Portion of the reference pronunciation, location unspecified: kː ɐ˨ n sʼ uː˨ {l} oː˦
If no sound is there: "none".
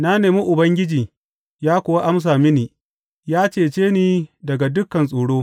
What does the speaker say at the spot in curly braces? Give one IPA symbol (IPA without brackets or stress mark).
ɽ